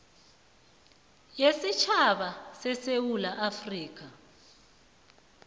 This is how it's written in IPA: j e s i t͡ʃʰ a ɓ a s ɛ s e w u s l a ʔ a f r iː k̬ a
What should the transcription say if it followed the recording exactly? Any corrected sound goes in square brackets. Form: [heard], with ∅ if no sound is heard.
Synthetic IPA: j e s i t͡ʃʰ a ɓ a s ɛ s e w u [∅] l a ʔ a f r iː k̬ a